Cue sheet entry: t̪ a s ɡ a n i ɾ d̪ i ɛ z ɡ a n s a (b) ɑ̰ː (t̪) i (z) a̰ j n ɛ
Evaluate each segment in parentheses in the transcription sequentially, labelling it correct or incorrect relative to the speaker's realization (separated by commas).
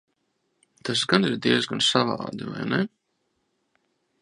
incorrect, incorrect, incorrect